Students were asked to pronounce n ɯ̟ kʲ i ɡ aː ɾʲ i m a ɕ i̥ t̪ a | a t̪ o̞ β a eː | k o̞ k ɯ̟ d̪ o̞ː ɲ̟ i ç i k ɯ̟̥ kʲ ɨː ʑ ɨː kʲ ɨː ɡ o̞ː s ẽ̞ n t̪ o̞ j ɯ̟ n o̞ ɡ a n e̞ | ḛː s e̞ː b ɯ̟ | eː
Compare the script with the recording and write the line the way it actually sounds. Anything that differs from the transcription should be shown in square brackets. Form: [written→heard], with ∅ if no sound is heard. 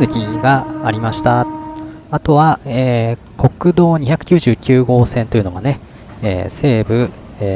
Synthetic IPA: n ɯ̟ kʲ i ɡ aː ɾʲ i m a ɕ i̥ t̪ a | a t̪ o̞ β a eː | k o̞ k ɯ̟ d̪ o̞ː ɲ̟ i ç [i→a] k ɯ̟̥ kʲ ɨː ʑ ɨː kʲ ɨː ɡ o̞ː s ẽ̞ n t̪ o̞ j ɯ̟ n o̞ ɡ a n e̞ | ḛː s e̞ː b ɯ̟ | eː